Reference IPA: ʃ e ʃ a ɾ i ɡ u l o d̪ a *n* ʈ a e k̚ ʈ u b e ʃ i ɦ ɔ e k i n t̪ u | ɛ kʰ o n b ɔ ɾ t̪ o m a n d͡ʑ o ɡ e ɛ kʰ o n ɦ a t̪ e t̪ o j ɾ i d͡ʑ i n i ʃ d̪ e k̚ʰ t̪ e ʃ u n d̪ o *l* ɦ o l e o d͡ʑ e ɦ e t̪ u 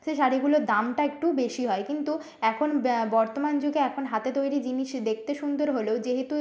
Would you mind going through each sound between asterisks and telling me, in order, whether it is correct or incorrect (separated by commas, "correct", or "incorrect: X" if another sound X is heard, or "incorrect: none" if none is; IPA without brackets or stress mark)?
incorrect: m, incorrect: ɾ